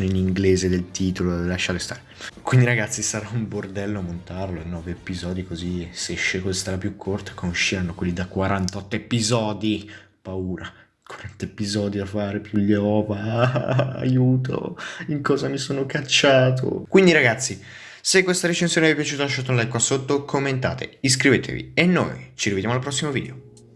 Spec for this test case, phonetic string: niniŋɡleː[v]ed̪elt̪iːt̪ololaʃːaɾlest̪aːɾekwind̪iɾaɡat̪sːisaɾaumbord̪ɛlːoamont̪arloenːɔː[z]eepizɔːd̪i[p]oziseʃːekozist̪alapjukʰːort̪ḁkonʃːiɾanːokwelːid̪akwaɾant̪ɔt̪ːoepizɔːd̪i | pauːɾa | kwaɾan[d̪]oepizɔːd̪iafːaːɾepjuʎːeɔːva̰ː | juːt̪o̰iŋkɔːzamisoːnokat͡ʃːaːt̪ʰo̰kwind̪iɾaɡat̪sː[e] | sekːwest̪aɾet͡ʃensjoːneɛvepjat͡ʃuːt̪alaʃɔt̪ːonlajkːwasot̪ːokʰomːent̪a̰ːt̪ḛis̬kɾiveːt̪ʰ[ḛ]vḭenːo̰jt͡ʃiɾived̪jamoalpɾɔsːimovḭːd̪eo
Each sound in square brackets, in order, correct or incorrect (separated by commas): incorrect, incorrect, incorrect, incorrect, incorrect, correct